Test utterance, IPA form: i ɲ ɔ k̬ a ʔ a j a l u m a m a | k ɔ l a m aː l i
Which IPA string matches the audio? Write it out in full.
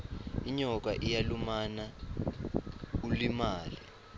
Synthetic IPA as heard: i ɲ ɔ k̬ a ʔ i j a l u m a n a | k u l i m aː l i

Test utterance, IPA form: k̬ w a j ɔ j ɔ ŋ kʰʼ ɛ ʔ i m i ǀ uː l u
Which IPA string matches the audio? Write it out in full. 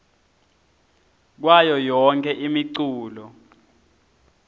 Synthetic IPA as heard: k̬ w a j ɔ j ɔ ŋ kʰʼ ɛ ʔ i m i ǀ uː l ɔ

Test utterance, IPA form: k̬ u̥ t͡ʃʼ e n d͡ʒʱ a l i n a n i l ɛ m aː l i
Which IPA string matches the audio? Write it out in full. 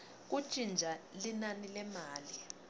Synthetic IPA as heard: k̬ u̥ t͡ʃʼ i n d͡ʒʱ a l i n a n i l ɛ m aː l i

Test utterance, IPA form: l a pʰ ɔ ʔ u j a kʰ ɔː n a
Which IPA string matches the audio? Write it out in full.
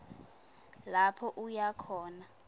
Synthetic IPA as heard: l a pʰ ɔ ʔ u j a kʰ ɔː n a

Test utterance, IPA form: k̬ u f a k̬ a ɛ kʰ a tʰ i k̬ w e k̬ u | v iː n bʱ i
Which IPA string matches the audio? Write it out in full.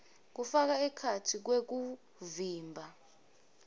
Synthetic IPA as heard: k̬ u f a k̬ a ɛ kʰ a tʰ i k̬ w e k̬ u | v iː m bʱ a

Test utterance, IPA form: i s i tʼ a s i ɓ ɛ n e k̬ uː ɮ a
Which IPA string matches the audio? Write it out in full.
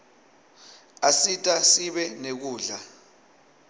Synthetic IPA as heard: a s i tʼ a s i ɓ ɛ n e k̬ uː ɮ a

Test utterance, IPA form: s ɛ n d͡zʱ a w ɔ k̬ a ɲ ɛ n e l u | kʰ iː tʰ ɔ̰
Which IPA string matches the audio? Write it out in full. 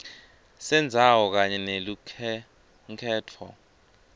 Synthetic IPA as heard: s ɛ n d͡zʱ a w ɔ k̬ a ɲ ɛ n e l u | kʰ ɛː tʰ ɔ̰

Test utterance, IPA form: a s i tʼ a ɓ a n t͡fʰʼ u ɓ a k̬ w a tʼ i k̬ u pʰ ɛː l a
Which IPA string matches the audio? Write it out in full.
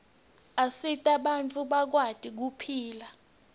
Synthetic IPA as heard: a s i tʼ a ɓ a n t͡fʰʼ u ɓ a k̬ w a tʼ i k̬ u pʰ iː l a

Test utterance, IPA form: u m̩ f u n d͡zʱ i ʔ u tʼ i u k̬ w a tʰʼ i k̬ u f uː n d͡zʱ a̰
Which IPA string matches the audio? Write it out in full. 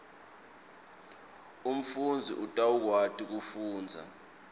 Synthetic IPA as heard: u m̩ f u n d͡zʱ i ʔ u tʼ a u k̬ w a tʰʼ i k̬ u f uː n d͡zʱ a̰

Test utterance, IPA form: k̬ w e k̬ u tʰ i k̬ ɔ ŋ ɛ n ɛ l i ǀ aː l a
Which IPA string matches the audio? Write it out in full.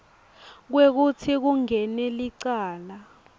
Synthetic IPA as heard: k̬ w e k̬ u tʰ i k̬ u ŋ ɛ n ɛ l i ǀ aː l a

